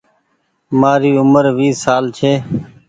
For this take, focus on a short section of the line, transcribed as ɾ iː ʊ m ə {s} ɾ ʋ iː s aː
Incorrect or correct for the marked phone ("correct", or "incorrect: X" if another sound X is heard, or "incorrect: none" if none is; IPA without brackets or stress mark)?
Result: incorrect: none